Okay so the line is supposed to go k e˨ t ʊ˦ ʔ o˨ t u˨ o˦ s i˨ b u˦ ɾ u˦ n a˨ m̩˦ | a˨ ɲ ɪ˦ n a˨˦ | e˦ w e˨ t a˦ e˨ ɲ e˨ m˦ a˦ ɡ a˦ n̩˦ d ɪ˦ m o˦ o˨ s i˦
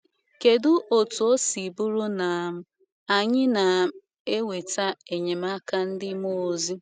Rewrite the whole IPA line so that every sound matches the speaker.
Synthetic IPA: k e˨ d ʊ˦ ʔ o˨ t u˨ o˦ s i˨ b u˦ ɾ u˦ n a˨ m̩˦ | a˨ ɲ ɪ˦ n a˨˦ | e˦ w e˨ t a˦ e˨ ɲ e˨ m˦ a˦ k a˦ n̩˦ d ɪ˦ m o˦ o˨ z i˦